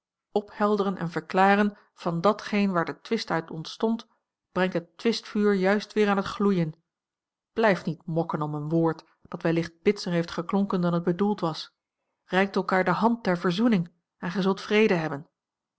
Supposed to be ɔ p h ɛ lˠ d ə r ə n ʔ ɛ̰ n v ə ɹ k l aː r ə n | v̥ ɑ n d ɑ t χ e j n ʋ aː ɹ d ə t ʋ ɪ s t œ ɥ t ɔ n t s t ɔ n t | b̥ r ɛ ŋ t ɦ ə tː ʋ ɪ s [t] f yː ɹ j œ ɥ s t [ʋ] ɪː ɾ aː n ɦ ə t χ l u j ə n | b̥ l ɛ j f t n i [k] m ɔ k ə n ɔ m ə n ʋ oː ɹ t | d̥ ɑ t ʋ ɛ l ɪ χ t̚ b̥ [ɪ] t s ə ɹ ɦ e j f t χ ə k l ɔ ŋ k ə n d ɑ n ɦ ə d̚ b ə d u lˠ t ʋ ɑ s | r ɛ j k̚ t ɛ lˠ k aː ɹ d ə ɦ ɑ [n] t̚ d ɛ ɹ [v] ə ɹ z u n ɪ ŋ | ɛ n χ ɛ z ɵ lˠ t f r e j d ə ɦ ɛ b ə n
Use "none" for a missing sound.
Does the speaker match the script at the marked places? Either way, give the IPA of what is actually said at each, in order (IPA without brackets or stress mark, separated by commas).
t, ʋ, t, ɪ, n, v